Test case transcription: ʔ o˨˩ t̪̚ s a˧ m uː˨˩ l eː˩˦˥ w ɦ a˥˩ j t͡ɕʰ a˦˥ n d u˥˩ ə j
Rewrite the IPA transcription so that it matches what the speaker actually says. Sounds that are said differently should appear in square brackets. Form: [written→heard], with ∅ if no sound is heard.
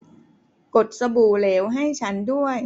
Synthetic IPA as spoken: [ʔ→k] o˨˩ t̪̚ s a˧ [m→b] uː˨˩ l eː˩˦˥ w ɦ a˥˩ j t͡ɕʰ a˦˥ n d u˥˩ ə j